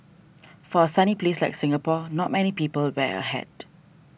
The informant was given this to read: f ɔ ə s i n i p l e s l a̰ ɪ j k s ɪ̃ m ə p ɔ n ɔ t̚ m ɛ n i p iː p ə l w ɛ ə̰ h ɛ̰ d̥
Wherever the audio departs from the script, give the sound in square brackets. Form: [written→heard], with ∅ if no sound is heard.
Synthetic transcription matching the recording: f ɔ ə s [i→a] n i p l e s l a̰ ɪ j k s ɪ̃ [m→ŋ] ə p ɔ n ɔ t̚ m ɛ n i p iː p ə l w ɛ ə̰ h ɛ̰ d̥